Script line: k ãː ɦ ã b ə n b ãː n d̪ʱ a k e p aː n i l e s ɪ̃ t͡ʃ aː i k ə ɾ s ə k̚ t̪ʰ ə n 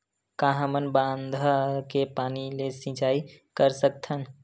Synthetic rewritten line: k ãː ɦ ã m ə n b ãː n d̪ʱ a k e p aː n i l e s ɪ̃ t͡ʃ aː i k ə ɾ s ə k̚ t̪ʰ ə n